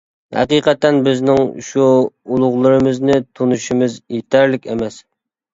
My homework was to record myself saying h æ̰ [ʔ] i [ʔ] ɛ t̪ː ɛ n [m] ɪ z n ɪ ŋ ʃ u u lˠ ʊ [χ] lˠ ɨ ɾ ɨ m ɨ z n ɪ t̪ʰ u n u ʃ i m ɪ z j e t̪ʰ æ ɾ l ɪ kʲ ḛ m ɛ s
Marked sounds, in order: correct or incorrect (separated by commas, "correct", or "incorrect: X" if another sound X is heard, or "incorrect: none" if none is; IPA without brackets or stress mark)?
incorrect: q, incorrect: q, incorrect: b, incorrect: ʁ